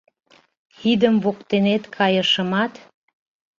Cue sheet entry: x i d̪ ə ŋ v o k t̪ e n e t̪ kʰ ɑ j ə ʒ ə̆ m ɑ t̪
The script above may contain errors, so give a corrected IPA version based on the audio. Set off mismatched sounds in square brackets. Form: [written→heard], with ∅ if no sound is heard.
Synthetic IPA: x i d̪ ə [ŋ→m] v o k t̪ e n e t̪ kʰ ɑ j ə [ʒ→ʃ] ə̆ m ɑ t̪